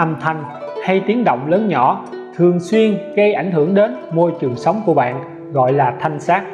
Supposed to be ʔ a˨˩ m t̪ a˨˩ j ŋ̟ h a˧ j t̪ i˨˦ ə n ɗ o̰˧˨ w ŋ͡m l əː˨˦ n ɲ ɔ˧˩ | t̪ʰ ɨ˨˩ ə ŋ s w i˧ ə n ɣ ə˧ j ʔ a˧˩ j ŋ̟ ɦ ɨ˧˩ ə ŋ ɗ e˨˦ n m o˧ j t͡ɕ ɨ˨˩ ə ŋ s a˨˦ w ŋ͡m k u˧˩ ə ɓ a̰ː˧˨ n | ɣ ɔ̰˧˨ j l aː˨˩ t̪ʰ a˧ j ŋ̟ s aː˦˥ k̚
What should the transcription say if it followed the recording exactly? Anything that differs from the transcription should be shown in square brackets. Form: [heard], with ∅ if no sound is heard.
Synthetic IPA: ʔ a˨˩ m [t̪ʰ] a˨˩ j ŋ̟ h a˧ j t̪ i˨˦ ə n ɗ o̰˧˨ w ŋ͡m l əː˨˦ n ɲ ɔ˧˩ | t̪ʰ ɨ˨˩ ə ŋ s w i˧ ə n ɣ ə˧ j ʔ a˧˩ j ŋ̟ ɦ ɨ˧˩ ə ŋ ɗ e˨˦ n m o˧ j t͡ɕ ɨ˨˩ ə ŋ s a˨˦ w ŋ͡m k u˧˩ ə ɓ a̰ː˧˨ n | ɣ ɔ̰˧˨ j l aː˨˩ t̪ʰ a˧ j ŋ̟ s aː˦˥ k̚

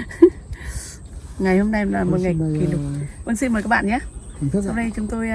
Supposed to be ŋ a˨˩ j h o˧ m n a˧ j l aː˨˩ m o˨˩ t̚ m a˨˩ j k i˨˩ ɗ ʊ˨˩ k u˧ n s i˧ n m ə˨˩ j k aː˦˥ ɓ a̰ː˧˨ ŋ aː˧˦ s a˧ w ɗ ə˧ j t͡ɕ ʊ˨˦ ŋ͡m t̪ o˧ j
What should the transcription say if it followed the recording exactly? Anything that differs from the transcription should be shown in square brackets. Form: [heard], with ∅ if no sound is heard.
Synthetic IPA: ŋ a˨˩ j h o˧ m n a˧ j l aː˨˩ m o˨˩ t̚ [ŋ] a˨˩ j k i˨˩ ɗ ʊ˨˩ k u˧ n s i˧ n m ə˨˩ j k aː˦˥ ɓ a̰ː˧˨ [ɲ] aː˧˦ s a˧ w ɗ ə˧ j t͡ɕ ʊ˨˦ ŋ͡m t̪ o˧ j

